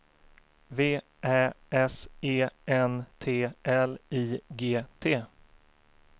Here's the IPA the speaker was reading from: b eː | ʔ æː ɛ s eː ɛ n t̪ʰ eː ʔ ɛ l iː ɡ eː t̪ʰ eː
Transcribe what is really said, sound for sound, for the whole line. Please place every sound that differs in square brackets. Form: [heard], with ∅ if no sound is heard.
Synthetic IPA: [v] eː | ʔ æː ɛ s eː ɛ n t̪ʰ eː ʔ ɛ l iː ɡ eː t̪ʰ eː